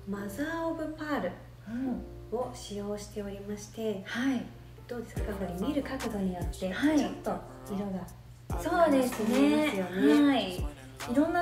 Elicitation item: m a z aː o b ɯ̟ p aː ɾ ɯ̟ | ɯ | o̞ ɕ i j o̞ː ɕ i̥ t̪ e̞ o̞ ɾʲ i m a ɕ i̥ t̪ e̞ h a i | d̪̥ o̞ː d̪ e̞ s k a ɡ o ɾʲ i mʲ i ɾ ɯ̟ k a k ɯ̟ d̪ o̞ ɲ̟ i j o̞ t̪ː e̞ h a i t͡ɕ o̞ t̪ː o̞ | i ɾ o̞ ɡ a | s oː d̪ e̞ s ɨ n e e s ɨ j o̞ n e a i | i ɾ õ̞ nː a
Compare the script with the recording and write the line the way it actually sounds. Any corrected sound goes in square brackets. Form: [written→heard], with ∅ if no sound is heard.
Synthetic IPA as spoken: m a z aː o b ɯ̟ p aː ɾ ɯ̟ | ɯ | o̞ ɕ i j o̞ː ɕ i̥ t̪ e̞ o̞ ɾʲ i m a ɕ i̥ t̪ e̞ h a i | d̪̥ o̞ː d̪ e̞ s k a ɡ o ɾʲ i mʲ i ɾ ɯ̟ k a k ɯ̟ d̪ o̞ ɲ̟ i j o̞ t̪ː e̞ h a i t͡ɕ o̞ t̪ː o̞ | i ɾ o̞ ɡ a | s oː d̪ e̞ s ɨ n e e s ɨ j o̞ n e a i | i ɾ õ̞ nː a